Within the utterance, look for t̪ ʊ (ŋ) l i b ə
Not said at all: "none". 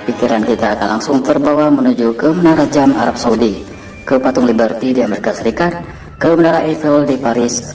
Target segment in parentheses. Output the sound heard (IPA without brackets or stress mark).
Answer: ŋ